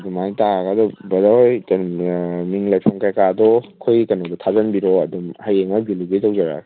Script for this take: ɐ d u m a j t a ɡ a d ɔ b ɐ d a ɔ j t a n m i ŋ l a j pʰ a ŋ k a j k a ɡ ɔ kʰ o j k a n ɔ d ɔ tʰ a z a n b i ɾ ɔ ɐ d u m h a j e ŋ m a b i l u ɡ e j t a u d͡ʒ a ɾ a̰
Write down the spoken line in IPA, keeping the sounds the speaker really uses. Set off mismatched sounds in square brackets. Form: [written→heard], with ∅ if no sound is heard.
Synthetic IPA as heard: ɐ d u m a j t a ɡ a d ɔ b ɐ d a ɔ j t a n m i ŋ l a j pʰ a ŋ k a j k a [ɡ→d] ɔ kʰ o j k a n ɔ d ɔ tʰ a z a n b i ɾ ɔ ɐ d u m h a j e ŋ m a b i l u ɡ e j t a [u→w] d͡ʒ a ɾ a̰